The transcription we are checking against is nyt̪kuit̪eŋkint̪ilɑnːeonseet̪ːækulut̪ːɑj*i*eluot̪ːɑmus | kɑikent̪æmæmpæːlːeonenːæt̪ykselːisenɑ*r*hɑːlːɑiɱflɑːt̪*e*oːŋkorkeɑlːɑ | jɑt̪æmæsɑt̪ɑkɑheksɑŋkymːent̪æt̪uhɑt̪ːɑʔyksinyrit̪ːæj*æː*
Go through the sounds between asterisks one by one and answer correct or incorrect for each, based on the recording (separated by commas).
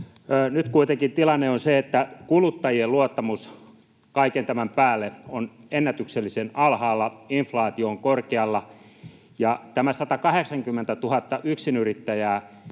correct, incorrect, incorrect, correct